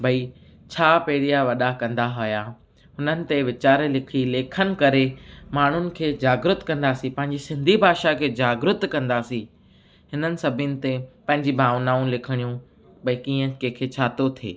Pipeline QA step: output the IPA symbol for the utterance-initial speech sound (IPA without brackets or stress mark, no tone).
bʱ